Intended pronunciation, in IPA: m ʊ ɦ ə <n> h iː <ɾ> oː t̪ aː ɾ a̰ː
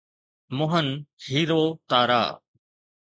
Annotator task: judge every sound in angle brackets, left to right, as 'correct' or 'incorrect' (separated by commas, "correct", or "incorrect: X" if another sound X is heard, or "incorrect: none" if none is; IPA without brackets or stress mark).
correct, correct